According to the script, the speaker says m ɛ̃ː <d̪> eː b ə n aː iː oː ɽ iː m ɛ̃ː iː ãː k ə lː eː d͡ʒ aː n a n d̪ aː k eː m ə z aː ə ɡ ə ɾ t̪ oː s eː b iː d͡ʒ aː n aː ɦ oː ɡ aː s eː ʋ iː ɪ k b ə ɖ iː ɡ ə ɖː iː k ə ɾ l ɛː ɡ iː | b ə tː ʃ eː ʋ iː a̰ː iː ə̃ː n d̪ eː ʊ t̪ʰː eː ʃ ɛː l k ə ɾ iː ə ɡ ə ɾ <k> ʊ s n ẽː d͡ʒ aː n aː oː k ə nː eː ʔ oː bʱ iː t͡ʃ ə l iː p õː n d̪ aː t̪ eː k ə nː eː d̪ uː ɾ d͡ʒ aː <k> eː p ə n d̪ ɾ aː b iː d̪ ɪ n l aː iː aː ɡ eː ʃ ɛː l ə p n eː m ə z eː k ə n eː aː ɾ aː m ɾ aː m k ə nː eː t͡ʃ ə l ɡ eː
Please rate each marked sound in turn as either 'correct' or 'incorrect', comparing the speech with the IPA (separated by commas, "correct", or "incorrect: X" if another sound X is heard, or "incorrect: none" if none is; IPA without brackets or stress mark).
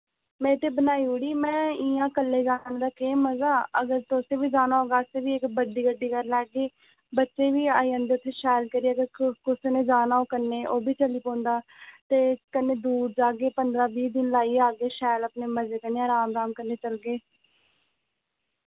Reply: incorrect: t̪, correct, incorrect: ɡ